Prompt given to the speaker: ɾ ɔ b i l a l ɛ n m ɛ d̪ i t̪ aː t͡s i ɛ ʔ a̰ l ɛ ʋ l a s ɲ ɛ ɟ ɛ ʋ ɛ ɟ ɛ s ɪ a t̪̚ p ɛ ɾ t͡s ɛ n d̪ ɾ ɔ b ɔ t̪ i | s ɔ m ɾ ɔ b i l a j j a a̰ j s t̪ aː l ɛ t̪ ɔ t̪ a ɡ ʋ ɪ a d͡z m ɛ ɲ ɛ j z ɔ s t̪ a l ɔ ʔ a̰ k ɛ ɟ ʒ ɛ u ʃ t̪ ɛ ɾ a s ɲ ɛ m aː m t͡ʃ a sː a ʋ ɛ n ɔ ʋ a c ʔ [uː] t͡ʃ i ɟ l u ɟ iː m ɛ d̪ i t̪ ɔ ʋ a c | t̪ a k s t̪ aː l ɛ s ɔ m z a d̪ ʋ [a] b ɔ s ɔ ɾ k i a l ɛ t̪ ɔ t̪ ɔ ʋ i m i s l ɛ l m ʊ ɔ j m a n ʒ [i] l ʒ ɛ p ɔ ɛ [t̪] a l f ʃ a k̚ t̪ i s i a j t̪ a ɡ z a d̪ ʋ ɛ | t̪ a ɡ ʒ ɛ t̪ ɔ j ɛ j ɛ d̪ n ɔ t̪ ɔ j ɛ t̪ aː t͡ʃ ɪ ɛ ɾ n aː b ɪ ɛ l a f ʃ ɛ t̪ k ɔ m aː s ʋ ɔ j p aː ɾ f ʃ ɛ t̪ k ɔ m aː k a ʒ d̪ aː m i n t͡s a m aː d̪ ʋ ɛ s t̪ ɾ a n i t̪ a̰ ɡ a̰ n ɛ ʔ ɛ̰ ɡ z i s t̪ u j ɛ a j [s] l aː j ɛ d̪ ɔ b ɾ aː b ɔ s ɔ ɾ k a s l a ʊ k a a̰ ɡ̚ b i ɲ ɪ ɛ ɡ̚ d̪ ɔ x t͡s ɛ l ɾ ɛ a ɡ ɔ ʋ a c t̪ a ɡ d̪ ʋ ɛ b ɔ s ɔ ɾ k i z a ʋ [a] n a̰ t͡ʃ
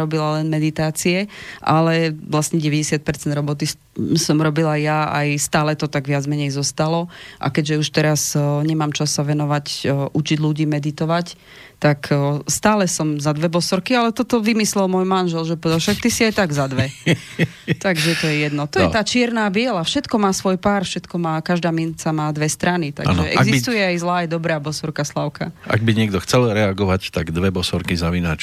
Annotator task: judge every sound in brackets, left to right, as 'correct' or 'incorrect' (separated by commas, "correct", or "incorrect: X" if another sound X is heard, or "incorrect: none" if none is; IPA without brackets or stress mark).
incorrect: u, incorrect: ɛ, incorrect: ɛ, incorrect: d̪, incorrect: z, incorrect: i